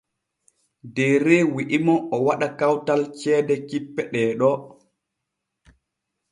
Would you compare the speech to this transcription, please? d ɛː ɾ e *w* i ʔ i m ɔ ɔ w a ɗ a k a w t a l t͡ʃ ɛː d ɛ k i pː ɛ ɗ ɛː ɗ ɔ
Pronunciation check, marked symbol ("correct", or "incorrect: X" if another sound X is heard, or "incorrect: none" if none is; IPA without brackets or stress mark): correct